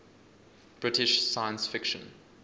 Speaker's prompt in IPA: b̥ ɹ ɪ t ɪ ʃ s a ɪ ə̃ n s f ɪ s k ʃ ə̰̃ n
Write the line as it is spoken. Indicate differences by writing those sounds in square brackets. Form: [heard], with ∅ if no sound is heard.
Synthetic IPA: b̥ ɹ ɪ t ɪ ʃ s a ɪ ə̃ n s f ɪ [∅] k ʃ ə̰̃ n